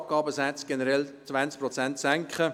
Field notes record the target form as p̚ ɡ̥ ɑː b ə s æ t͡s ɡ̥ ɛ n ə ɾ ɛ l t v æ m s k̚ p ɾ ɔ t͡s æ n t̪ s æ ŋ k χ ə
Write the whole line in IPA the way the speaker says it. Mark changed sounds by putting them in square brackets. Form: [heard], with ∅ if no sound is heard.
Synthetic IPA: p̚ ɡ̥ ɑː b ə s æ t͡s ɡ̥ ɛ n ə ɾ ɛ l [t͡s] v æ [n] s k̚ p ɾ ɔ t͡s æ n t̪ s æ ŋ k χ ə